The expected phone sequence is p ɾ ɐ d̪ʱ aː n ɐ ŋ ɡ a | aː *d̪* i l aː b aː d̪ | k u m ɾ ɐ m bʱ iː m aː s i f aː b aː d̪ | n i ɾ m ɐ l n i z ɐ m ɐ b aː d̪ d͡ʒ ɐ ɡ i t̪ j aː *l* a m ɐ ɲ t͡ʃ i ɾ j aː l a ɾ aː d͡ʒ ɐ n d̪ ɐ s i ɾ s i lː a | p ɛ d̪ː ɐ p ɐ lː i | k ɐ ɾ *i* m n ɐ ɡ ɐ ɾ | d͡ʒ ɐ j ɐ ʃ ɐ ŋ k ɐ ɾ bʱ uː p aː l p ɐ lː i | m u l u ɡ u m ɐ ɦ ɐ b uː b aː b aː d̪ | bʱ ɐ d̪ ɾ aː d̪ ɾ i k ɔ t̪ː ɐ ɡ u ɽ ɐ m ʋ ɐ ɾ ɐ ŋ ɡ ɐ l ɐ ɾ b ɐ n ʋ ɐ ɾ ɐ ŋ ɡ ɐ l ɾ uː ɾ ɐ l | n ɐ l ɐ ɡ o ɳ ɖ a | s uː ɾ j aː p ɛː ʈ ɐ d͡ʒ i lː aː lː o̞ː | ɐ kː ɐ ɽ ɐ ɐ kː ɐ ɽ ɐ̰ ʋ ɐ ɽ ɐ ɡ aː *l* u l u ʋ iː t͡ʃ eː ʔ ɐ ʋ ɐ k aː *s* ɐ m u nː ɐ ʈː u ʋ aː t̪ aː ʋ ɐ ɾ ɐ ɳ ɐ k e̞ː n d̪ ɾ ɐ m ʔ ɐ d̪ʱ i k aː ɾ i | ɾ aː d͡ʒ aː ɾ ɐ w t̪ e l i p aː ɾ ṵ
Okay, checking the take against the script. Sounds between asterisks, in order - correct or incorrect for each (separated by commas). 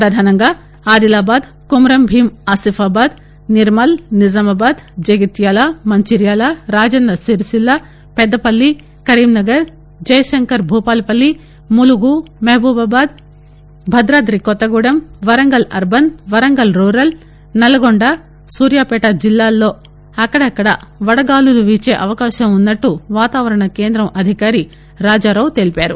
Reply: correct, correct, incorrect, correct, incorrect